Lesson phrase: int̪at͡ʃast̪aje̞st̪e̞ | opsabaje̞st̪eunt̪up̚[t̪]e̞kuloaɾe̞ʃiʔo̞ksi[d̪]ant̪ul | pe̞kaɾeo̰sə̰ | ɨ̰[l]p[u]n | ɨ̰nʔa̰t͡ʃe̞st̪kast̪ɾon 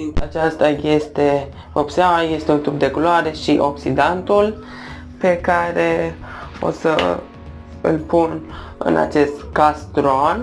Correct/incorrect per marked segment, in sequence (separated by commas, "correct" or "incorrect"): incorrect, correct, correct, correct